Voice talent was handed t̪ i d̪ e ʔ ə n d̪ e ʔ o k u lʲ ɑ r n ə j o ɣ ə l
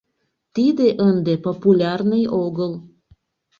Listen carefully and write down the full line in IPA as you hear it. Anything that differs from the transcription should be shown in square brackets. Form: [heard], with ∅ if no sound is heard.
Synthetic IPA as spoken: t̪ i d̪ e ʔ ə n d̪ e [p] o [p] u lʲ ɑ r n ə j o ɣ ə l